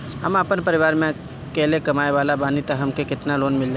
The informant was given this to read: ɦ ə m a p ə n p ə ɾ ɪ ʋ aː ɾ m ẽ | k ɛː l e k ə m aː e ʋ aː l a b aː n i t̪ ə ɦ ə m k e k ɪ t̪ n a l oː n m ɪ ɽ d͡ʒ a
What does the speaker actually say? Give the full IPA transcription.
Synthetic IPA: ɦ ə m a p ə n p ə ɾ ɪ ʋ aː ɾ m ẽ | k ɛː l e k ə m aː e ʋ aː l a b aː n i t̪ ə ɦ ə m k e k ɪ t̪ n a l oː n m ɪ l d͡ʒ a